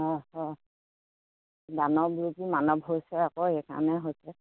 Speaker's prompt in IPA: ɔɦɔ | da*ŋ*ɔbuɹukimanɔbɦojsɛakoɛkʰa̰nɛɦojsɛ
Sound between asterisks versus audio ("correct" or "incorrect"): incorrect